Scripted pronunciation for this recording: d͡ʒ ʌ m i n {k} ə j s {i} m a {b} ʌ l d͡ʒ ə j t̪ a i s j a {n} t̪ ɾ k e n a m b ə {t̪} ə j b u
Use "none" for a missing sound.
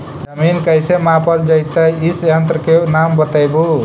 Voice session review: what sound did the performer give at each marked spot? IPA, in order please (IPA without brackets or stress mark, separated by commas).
k, e, p, n, t̪